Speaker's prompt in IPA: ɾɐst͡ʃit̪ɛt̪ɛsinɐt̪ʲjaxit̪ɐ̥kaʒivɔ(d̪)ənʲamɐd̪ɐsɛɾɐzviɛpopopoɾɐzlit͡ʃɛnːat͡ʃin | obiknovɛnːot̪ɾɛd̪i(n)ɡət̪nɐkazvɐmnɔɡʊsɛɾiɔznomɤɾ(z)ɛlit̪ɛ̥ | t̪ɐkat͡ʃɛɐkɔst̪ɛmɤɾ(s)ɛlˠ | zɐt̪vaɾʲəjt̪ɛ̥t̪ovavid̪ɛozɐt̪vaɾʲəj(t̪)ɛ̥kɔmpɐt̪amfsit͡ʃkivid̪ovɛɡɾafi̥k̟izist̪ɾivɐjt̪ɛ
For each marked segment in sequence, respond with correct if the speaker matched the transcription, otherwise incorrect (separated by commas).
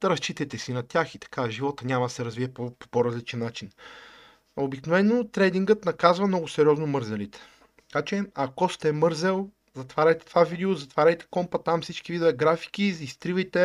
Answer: incorrect, incorrect, correct, incorrect, correct